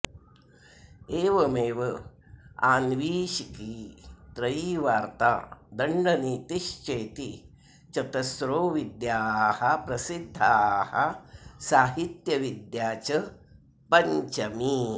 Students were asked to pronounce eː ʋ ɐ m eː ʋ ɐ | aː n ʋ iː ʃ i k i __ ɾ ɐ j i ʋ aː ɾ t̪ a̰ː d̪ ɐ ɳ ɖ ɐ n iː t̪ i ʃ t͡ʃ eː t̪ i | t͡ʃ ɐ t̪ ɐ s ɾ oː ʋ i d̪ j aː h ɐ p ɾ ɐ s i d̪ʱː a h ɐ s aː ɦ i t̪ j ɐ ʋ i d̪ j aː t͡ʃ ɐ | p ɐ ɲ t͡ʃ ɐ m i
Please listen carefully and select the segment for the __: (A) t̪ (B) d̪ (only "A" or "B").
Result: A